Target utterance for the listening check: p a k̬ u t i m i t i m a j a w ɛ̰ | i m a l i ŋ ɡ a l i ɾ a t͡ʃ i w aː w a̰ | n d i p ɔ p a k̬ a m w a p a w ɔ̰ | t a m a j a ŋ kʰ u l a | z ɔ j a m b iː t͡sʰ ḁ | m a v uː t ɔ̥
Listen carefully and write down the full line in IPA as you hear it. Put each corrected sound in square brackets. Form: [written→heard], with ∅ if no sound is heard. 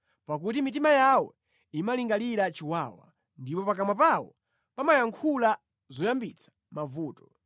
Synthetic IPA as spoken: p a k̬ u t i m i t i m a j a w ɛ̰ | i m a l i ŋ ɡ a l i ɾ a t͡ʃ i w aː w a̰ | n d i p ɔ p a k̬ a m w a p a w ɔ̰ | [t→p] a m a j a ŋ kʰ u l a | z ɔ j a m b [iː→i] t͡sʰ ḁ | m a v uː t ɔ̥